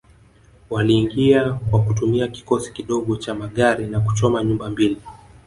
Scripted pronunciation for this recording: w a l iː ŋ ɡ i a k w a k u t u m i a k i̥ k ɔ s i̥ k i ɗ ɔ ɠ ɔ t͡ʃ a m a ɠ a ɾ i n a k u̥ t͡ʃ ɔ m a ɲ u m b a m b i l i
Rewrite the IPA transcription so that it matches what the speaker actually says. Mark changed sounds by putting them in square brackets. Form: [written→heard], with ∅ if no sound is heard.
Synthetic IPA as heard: w a l iː ŋ ɡ i a k w a k u t u m i a k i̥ k ɔ s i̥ k i ɗ ɔ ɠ ɔ t͡ʃ a m a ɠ a ɾ i n a k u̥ t͡ʃ ɔ m a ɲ u m b a m b i l i